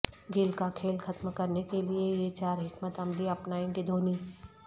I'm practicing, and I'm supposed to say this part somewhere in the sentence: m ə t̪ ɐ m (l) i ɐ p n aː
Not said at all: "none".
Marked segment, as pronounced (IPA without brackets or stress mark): l